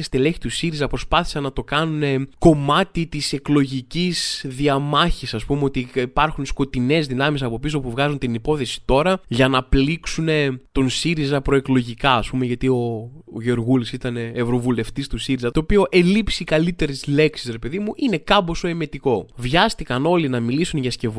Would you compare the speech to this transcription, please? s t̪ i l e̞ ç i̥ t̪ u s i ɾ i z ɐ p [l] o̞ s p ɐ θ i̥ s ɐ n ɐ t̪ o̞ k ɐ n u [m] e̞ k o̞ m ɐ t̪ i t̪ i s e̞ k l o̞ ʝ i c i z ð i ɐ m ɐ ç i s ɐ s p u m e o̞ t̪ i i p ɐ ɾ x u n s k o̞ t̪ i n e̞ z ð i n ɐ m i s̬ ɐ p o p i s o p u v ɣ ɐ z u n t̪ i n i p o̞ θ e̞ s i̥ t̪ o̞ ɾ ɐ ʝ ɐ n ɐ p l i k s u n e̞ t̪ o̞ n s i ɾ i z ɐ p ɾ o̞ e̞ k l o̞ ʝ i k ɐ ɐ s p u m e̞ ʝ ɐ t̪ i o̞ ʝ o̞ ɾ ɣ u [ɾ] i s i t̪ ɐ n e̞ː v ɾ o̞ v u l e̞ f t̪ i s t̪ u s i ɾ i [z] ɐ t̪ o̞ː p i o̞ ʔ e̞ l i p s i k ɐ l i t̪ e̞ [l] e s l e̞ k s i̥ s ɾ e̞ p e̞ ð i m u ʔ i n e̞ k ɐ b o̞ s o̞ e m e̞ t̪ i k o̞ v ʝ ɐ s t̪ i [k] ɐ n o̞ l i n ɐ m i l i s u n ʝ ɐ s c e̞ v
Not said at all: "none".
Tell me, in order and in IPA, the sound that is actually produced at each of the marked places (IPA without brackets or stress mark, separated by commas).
ɾ, n, l, z, ɾ, k